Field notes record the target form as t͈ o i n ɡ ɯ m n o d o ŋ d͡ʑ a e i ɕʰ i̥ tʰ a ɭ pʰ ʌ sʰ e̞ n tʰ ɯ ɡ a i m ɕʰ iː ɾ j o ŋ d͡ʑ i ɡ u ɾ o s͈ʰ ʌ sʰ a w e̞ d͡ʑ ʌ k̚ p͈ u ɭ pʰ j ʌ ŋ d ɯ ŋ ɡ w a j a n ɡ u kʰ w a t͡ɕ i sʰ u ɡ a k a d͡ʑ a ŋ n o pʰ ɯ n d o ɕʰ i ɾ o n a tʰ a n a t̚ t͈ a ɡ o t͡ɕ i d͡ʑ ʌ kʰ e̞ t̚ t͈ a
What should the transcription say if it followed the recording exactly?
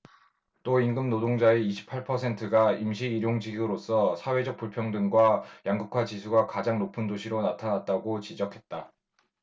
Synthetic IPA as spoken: t͈ o i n ɡ ɯ m n o d o ŋ d͡ʑ a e i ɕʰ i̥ pʰ a ɭ pʰ ʌ sʰ e̞ n tʰ ɯ ɡ a i m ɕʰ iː ɾ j o ŋ d͡ʑ i ɡ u ɾ o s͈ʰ ʌ sʰ a w e̞ d͡ʑ ʌ k̚ p͈ u ɭ pʰ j ʌ ŋ d ɯ ŋ ɡ w a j a ŋ ɡ u kʰ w a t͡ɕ i sʰ u ɡ a k a d͡ʑ a ŋ n o pʰ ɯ n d o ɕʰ i ɾ o n a tʰ a n a t̚ t͈ a ɡ o t͡ɕ i d͡ʑ ʌ kʰ e̞ t̚ t͈ a